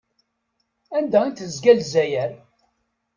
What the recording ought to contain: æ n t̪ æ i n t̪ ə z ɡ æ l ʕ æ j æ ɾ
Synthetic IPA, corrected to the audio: æ n d̪ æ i n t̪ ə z ɡ æ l z æ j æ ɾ